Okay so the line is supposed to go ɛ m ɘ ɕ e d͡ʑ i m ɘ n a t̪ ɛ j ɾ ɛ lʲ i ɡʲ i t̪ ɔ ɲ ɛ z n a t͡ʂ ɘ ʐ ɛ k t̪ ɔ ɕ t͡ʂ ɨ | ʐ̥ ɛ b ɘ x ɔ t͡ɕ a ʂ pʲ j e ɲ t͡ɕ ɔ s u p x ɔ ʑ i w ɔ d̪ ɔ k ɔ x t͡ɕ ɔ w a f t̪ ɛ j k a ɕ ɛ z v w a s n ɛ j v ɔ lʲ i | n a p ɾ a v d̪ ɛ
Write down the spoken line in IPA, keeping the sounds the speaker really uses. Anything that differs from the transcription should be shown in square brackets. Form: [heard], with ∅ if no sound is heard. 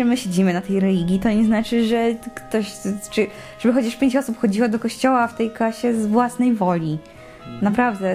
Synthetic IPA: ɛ m ɘ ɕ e d͡ʑ i m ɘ n a t̪ ɛ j ɾ ɛ lʲ i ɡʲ i t̪ ɔ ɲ ɛ z n a t͡ʂ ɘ ʐ ɛ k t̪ ɔ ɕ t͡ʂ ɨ | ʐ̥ ɛ b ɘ x ɔ t͡ɕ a ʂ pʲ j e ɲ t͡ɕ ɔ s u p x ɔ [d͡ʑ] i w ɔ d̪ ɔ k ɔ [ɕ] t͡ɕ ɔ w a f t̪ ɛ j k a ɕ ɛ z v w a s n ɛ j v ɔ lʲ i | n a p ɾ a v d̪ ɛ